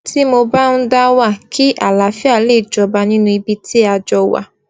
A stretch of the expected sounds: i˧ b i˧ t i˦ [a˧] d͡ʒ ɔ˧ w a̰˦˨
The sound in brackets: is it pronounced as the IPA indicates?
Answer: yes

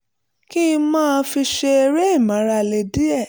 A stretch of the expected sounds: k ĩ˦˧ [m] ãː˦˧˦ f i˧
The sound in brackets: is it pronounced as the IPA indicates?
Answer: yes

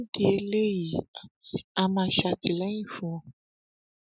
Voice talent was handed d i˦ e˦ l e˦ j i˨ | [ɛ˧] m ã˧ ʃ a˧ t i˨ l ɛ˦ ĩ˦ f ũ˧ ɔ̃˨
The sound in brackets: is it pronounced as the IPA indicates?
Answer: no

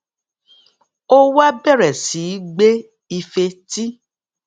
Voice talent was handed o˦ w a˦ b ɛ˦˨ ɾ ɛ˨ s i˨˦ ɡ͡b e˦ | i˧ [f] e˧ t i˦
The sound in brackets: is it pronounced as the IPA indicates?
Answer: yes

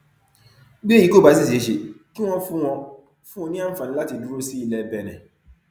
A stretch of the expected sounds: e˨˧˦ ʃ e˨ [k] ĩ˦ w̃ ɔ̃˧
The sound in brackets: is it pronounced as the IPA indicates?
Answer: yes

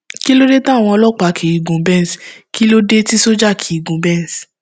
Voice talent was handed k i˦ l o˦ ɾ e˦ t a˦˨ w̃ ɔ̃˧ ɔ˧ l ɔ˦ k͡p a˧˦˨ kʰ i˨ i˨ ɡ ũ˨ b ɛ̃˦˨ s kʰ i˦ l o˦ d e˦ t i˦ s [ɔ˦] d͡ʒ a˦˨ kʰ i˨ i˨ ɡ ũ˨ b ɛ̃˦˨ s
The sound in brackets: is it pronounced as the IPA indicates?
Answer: no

